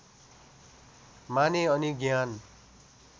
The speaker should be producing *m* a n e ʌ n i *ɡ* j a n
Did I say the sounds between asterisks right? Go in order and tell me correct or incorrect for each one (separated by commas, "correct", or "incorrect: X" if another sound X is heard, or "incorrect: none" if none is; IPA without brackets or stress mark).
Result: correct, correct